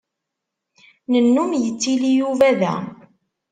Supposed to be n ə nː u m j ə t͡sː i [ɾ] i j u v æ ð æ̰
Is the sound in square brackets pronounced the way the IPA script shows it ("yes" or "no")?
no